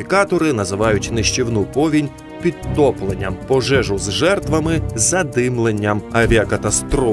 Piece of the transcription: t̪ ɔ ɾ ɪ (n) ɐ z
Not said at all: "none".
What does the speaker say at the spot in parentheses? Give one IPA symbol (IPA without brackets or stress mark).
n